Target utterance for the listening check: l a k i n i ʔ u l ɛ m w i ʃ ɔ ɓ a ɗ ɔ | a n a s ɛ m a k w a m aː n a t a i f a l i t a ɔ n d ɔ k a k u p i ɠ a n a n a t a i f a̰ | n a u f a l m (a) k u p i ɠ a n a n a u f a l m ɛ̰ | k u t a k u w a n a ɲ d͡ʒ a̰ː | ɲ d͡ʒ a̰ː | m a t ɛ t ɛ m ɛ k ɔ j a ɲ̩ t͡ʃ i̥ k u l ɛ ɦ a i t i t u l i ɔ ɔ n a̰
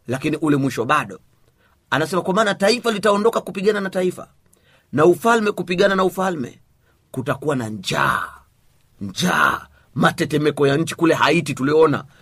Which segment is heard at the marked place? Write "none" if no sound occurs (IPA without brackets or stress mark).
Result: ɛ